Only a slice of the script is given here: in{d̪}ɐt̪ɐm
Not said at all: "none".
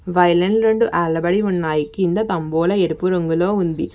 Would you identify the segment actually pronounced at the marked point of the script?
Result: d̪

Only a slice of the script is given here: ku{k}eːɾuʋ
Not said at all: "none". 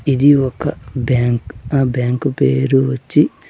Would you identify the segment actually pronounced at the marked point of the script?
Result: p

